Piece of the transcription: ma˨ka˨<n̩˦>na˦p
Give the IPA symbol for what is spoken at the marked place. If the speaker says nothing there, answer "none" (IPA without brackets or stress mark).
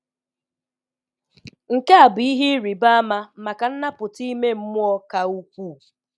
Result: n̩˦